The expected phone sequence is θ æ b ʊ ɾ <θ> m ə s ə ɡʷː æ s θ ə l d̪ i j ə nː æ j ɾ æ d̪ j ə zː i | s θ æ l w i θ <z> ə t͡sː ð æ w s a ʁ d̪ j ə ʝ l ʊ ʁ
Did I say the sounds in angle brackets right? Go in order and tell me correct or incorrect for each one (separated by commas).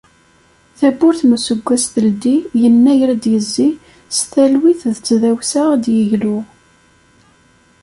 correct, incorrect